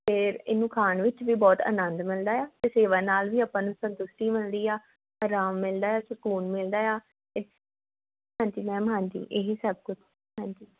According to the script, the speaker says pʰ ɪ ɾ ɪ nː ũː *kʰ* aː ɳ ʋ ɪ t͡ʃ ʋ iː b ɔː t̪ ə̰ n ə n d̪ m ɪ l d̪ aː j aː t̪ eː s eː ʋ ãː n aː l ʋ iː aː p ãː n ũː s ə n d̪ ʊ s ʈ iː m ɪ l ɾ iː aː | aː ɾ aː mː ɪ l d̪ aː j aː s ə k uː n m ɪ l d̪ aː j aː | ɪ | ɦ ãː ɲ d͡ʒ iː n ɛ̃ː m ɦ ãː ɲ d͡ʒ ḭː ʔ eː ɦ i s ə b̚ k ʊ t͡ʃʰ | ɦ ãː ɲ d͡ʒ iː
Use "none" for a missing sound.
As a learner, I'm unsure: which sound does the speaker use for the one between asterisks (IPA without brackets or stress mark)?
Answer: kʰ